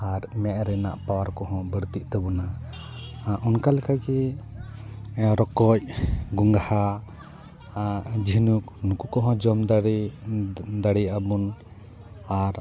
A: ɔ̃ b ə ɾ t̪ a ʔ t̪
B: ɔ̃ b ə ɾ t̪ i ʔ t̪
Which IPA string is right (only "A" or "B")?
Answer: B